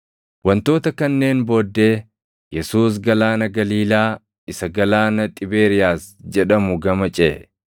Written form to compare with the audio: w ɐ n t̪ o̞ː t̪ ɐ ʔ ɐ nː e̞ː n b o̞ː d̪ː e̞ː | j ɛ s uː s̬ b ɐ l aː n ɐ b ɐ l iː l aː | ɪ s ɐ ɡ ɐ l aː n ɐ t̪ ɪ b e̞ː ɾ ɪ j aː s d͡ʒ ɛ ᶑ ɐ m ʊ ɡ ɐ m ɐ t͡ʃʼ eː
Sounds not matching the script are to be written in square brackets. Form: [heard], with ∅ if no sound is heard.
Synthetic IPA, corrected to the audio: w ɐ n t̪ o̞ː t̪ ɐ [k] ɐ nː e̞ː n b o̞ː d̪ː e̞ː | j ɛ s uː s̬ [ɡ] ɐ l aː n ɐ [ɡ] ɐ l iː l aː | ɪ s ɐ ɡ ɐ l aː n ɐ [t̪ʼ] ɪ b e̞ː ɾ ɪ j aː s d͡ʒ ɛ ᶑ ɐ m ʊ ɡ ɐ m ɐ t͡ʃʼ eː